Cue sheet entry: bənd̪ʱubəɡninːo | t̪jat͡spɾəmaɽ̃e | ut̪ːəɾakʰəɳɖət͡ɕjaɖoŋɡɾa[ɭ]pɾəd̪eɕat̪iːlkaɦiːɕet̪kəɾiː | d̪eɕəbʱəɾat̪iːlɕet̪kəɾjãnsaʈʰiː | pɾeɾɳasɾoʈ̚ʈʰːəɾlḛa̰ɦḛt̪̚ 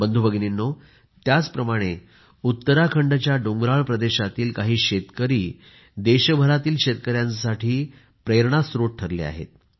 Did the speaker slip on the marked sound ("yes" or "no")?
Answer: no